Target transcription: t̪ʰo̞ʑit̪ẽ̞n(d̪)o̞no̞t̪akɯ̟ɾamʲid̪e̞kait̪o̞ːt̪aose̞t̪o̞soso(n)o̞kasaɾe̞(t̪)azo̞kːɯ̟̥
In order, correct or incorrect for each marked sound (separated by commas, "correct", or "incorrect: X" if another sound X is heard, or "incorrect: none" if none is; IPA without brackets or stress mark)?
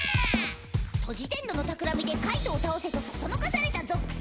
correct, correct, correct